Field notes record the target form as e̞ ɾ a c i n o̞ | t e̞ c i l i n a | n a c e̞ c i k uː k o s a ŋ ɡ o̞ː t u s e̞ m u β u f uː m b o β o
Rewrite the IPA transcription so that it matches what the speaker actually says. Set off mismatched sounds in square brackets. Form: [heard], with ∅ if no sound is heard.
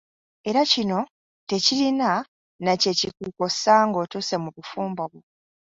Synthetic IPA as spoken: e̞ ɾ a c i n o̞ | t e̞ c i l i n a | n a c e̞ c i k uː k o s a ŋ ɡ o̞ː t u s e̞ m u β u f uː m b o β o